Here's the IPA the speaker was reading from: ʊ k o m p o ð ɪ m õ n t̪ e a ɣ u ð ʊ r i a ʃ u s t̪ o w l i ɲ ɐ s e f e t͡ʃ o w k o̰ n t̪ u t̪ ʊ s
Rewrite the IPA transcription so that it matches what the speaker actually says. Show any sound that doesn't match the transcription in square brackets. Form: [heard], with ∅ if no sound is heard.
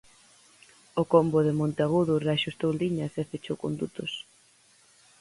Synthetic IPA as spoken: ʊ k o m [b] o ð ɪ m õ n t̪ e a ɣ u ð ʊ r [e] a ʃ u s t̪ o w l i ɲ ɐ s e f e t͡ʃ o w k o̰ n [d̪] u t̪ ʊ s